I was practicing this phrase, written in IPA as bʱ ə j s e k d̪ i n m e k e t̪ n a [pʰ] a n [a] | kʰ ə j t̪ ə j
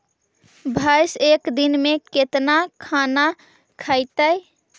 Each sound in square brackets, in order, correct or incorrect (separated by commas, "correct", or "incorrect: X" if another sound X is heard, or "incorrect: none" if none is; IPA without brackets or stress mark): incorrect: kʰ, correct